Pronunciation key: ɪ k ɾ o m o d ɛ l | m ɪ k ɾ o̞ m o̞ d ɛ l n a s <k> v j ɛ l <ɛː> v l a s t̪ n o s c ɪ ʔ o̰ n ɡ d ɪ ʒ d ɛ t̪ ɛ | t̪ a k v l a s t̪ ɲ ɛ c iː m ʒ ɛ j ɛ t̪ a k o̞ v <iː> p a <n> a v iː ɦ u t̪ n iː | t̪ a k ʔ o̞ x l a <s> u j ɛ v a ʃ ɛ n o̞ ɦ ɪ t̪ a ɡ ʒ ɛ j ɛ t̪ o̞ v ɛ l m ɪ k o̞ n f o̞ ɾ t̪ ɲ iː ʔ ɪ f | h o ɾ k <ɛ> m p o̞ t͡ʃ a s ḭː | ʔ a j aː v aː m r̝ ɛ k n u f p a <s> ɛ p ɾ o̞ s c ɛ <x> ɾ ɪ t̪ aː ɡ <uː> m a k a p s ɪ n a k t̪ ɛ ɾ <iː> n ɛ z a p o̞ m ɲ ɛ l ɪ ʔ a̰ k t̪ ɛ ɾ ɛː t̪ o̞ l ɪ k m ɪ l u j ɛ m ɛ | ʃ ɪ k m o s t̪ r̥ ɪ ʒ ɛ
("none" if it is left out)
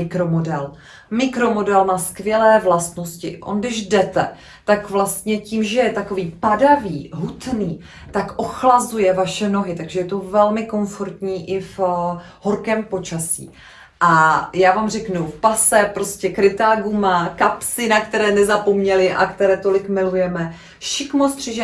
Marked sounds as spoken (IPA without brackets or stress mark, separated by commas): k, ɛː, iː, d, z, ɛː, s, k, u, ɛː